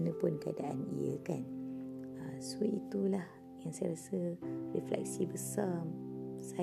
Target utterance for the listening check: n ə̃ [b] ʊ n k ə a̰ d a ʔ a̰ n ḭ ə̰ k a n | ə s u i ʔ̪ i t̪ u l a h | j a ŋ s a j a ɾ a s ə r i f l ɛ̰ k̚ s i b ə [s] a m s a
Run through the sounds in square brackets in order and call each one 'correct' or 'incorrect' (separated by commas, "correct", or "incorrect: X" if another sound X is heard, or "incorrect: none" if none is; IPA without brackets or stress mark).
incorrect: p, correct